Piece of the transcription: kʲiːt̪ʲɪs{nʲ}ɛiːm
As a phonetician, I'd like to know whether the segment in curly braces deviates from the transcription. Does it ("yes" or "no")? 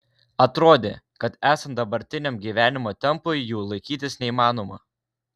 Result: no